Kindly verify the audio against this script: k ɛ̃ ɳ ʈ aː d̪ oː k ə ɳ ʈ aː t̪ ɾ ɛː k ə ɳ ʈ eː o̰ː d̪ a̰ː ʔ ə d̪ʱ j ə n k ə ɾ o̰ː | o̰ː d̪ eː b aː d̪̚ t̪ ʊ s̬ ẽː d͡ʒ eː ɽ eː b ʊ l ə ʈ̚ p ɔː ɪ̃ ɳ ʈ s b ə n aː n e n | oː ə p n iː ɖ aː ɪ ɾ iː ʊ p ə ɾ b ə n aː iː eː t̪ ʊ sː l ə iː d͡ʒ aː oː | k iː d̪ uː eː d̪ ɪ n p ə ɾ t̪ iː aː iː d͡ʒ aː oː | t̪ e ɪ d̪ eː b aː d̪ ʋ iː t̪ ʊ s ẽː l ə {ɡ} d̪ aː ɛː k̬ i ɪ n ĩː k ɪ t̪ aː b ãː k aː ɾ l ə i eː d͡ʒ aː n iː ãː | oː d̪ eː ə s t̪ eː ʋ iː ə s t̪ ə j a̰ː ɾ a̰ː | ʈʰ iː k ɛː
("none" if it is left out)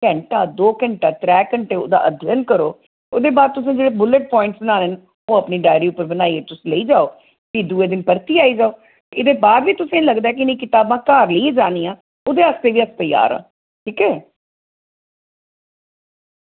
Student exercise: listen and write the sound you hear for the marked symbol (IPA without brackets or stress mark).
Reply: ɡ